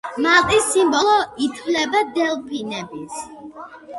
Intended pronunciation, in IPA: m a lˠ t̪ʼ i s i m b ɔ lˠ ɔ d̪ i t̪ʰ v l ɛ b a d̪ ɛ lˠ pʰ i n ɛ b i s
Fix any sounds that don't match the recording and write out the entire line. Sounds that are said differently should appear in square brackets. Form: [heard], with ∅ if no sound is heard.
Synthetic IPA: m a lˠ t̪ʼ i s i m b ɔ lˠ ɔ [∅] i t̪ʰ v l ɛ b a d̪ ɛ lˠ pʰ i n ɛ b i s